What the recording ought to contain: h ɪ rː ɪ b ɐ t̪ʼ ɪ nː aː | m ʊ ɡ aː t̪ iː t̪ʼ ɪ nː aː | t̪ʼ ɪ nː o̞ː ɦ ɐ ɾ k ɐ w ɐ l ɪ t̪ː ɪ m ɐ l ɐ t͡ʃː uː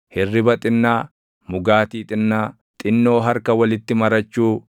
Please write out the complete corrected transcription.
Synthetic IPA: h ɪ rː ɪ b ɐ t̪ʼ ɪ nː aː | m ʊ ɡ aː t̪ iː t̪ʼ ɪ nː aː | t̪ʼ ɪ nː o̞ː ɦ ɐ ɾ k ɐ w ɐ l ɪ t̪ː ɪ m ɐ ɾ ɐ t͡ʃː uː